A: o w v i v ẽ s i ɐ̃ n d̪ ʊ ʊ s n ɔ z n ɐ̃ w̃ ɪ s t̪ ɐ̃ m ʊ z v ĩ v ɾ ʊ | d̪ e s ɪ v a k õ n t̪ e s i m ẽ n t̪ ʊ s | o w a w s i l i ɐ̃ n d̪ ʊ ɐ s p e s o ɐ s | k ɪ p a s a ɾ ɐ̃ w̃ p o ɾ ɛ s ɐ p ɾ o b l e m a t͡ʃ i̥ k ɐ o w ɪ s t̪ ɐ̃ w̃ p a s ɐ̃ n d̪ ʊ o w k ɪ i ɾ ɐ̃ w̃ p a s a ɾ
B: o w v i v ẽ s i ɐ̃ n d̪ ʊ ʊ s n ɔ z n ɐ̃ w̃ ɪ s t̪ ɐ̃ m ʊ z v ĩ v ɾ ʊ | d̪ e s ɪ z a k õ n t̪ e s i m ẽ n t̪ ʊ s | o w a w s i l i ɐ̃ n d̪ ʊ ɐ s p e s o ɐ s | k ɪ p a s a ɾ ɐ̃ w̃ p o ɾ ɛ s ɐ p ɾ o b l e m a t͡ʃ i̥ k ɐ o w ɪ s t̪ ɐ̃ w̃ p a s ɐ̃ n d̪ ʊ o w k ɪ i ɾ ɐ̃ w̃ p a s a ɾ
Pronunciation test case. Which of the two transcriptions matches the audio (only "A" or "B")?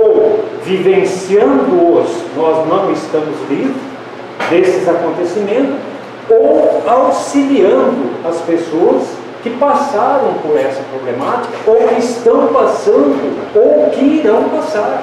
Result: B